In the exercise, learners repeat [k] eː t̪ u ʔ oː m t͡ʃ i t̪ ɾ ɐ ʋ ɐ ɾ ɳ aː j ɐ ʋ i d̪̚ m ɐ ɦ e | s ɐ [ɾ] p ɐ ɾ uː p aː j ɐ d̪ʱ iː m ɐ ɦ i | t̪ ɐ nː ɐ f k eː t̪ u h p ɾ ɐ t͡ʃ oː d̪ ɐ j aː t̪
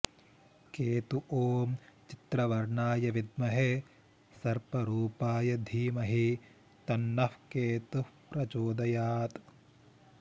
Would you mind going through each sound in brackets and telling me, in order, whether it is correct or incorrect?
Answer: correct, correct

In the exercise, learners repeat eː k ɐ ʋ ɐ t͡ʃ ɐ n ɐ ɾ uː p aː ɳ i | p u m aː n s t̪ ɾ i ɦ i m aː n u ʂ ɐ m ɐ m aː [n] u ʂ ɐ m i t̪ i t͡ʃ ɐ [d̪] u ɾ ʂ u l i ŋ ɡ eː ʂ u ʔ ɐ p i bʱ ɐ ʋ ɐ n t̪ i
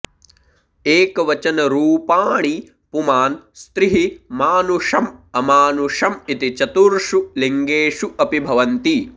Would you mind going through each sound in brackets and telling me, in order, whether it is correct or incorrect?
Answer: correct, incorrect

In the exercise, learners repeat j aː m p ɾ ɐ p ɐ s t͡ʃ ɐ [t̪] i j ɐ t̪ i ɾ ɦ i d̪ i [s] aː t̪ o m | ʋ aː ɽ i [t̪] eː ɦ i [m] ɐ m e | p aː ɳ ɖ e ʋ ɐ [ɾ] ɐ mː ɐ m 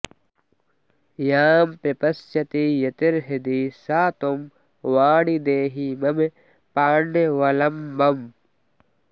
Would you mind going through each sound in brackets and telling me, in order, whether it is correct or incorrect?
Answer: correct, correct, incorrect, correct, incorrect

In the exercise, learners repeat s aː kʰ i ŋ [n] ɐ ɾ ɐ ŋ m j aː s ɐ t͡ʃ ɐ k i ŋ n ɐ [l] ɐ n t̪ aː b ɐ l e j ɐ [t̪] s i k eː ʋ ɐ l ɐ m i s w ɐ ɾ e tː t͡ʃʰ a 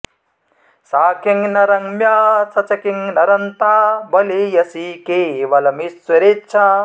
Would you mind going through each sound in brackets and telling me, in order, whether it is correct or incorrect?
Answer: correct, incorrect, incorrect

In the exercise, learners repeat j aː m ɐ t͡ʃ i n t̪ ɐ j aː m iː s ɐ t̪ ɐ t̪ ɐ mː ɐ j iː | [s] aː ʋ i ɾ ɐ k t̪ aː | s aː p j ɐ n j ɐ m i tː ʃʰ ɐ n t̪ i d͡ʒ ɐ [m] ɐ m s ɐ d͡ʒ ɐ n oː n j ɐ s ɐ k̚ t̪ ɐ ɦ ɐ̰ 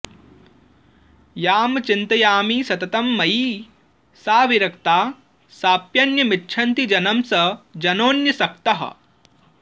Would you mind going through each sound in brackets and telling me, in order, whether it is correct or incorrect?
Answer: correct, incorrect

